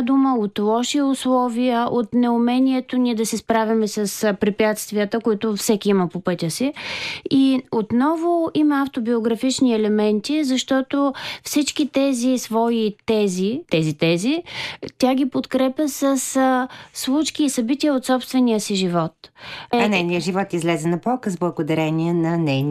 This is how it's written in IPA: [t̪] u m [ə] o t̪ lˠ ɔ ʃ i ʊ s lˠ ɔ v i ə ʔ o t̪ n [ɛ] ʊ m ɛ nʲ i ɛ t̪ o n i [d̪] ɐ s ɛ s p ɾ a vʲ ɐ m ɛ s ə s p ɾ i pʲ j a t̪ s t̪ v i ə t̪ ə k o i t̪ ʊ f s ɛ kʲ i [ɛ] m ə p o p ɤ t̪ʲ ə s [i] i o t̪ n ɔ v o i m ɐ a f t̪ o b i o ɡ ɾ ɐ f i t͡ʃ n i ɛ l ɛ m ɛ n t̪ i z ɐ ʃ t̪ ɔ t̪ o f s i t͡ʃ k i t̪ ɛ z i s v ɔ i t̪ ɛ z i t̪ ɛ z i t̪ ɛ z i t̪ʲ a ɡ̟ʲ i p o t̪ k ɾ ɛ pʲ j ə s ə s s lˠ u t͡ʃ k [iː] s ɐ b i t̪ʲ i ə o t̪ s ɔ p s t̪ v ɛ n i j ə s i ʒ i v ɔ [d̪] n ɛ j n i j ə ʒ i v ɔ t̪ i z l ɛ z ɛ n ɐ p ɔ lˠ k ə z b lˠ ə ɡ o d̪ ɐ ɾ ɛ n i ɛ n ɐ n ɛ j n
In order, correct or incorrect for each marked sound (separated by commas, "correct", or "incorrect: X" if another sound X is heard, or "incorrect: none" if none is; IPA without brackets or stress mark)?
incorrect: d̪, correct, correct, correct, incorrect: i, correct, correct, incorrect: t̪